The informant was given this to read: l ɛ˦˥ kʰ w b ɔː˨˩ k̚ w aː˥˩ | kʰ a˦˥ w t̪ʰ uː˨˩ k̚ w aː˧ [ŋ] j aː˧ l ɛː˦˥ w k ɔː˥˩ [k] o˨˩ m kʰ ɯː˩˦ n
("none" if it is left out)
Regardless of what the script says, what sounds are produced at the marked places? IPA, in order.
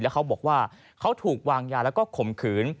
ŋ, kʰ

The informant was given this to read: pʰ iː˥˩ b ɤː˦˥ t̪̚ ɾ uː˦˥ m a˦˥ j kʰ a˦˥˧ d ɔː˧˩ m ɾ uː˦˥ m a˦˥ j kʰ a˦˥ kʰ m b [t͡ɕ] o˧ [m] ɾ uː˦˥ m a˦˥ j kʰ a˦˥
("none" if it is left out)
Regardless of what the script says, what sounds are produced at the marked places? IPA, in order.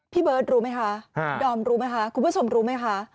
t͡ɕʰ, m

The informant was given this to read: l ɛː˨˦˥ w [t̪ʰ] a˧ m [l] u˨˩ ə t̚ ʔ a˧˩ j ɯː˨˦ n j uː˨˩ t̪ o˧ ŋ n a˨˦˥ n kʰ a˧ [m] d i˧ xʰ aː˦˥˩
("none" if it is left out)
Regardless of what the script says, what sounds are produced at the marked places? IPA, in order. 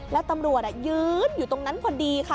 t̪, ɾ, n

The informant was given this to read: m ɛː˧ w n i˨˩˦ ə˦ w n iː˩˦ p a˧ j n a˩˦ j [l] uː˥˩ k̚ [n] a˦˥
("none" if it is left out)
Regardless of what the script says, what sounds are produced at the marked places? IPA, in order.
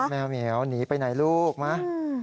l, m

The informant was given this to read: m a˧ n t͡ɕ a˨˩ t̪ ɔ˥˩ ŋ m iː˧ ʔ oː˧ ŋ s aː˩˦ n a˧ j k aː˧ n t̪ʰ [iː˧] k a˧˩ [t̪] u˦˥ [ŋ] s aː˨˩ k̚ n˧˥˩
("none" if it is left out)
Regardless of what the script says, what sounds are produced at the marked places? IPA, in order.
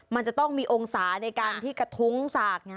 iː˥˩, t̪ʰ, ŋ

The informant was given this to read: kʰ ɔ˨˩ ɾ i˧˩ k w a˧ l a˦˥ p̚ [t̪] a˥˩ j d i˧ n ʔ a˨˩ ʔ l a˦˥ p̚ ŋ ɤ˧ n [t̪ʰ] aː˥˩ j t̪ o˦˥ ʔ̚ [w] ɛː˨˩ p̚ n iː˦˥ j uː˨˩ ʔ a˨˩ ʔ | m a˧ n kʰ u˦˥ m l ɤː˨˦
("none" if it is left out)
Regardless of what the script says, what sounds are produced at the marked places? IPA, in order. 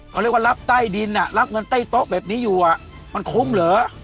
t̪, t̪, b

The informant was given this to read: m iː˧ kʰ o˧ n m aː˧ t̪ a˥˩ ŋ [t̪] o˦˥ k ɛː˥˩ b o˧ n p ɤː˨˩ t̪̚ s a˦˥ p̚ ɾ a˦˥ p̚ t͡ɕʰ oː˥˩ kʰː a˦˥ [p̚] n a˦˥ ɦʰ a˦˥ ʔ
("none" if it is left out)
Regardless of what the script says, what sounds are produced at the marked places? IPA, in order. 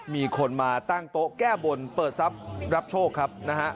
t̪, p̚

